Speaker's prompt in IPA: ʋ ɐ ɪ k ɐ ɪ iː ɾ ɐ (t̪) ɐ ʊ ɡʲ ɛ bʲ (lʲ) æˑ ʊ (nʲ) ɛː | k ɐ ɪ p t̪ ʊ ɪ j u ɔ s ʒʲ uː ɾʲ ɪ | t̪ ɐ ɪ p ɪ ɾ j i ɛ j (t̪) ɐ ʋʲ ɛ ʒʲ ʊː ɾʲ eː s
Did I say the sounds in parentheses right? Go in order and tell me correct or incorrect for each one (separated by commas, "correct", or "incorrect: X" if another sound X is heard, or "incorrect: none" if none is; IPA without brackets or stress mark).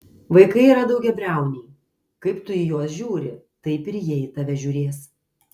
incorrect: d̪, incorrect: ɾʲ, correct, correct